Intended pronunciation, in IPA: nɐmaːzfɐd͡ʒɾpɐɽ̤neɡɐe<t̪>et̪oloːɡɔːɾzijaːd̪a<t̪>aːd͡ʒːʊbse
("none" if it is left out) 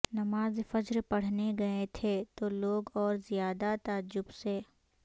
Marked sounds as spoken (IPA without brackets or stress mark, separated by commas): t̪ʰ, t̪